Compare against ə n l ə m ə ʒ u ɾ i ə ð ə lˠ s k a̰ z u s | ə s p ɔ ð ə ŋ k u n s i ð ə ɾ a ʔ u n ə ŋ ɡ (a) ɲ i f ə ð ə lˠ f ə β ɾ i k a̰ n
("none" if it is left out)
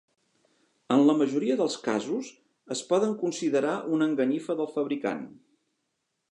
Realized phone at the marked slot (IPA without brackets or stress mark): ə